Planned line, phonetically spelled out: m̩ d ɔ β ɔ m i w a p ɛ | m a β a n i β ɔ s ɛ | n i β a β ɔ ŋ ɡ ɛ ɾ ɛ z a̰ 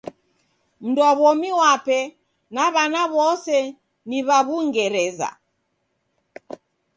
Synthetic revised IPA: m̩ d ɔ β ɔ m i w a p ɛ | n a β a n a β ɔ s ɛ | n i β a β u ŋ ɡ ɛ ɾ ɛ z a̰